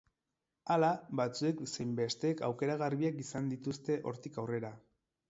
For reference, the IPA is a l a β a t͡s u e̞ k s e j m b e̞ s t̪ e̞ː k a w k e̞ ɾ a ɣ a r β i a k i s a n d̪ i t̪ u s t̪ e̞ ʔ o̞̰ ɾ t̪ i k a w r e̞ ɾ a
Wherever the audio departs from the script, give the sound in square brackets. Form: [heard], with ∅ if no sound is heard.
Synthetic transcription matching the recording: a l a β a t͡s u e̞ k s e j m b e̞ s t̪ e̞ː k a w k e̞ ɾ a ɣ a r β i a k i s a n d̪ i t̪ u s t̪ e̞ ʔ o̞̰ ɾ t̪ i k a w r e̞ ɾ a